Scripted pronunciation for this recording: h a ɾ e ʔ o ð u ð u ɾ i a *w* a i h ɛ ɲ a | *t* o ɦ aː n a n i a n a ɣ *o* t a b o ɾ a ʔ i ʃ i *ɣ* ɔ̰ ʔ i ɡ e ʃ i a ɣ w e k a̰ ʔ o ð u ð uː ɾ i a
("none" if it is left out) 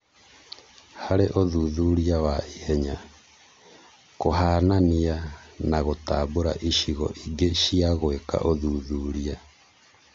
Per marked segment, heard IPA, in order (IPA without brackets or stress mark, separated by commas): w, k, o, ɣ